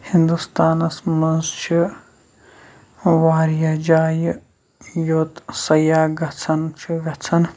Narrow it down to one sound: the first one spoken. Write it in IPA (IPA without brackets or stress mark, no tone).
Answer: h